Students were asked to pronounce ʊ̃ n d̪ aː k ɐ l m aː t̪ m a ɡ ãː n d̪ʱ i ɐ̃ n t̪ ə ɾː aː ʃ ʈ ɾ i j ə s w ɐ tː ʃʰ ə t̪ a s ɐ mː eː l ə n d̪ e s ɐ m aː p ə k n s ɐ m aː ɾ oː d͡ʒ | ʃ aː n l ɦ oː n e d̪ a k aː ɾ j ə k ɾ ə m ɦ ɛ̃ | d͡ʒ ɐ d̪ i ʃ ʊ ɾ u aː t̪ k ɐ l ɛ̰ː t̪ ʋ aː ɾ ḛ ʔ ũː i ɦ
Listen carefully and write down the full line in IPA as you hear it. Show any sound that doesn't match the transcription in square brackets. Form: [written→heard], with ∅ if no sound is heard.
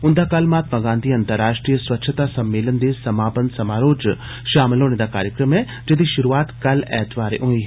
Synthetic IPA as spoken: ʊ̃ n d̪ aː k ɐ l m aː t̪ m a ɡ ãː n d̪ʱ i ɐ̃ n t̪ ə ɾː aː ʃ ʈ ɾ i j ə s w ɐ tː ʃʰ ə t̪ a s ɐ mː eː l ə n d̪ e s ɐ m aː p ə [k→∅] n s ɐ m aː ɾ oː d͡ʒ | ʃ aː [n→m] l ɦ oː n e d̪ a k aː ɾ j ə k ɾ ə m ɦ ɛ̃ | d͡ʒ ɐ d̪ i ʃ ʊ ɾ u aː t̪ k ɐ l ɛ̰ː t̪ ʋ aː ɾ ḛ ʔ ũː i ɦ

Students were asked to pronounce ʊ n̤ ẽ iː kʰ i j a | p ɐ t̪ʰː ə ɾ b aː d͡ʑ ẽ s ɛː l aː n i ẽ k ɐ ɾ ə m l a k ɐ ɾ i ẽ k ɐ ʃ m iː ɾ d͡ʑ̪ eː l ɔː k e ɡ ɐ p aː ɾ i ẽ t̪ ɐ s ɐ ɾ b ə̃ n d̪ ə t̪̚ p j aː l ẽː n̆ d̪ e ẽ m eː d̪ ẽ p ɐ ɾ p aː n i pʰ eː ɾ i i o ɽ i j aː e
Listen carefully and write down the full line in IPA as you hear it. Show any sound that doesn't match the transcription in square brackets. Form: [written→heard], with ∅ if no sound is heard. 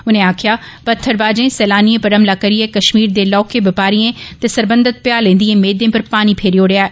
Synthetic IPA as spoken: ʊ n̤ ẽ [iː→aː] kʰ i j a | p ɐ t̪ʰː ə ɾ b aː d͡ʑ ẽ s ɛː l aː n i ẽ [k→p] ɐ ɾ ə m l a k ɐ ɾ i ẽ k ɐ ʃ m iː ɾ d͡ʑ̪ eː l ɔː k e [ɡ→b] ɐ p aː ɾ i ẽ t̪ ɐ s ɐ ɾ b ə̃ n d̪ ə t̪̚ p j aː l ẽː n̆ d̪ [e→i] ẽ m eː d̪ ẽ p ɐ ɾ p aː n i pʰ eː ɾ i [i→j] o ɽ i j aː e

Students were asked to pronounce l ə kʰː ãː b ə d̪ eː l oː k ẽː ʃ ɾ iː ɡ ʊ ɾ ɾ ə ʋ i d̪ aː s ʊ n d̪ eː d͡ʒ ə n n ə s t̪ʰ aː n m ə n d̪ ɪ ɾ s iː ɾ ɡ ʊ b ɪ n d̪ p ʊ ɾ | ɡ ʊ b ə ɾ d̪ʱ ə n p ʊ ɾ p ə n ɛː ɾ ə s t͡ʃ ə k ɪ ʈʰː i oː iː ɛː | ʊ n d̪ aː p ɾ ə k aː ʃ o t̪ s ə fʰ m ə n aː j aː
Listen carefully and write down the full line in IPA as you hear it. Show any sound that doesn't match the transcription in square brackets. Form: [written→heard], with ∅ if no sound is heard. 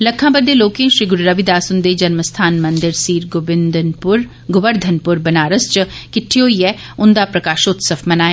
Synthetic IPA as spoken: l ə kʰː ãː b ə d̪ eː l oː k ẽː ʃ ɾ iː ɡ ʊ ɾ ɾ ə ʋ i d̪ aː s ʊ n d̪ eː d͡ʒ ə n [n→m] ə s t̪ʰ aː n m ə n d̪ ɪ ɾ s iː ɾ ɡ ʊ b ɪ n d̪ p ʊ ɾ | ɡ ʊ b ə ɾ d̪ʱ ə n p ʊ ɾ [p→b] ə n [ɛː→aː] ɾ ə s t͡ʃ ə k ɪ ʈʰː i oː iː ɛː | ʊ n d̪ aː p ɾ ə k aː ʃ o t̪ s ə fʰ m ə n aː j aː

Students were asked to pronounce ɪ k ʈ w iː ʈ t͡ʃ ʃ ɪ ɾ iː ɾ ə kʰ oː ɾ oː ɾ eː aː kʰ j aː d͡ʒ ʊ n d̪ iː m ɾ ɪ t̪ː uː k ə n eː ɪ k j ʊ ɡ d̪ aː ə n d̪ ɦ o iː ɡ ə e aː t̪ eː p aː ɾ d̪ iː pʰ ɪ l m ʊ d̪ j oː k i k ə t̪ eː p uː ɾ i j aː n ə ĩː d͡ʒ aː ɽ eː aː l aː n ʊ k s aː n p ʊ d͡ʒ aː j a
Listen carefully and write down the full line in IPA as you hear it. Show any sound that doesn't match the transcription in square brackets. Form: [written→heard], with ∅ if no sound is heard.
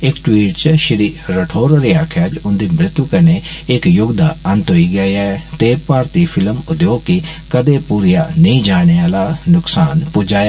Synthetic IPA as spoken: ɪ k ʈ w iː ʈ t͡ʃ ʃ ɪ ɾ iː ɾ ə [kʰ→ʈʰ] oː ɾ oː ɾ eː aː kʰ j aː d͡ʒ ʊ n d̪ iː m ɾ ɪ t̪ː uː k ə n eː ɪ k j ʊ ɡ d̪ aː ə n [d̪→t̪] ɦ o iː ɡ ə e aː t̪ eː p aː ɾ [d̪→t̪] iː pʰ ɪ l m ʊ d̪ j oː k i k ə [t̪→d̪] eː p uː ɾ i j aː n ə ĩː d͡ʒ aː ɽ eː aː l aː n ʊ k s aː n p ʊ d͡ʒ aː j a

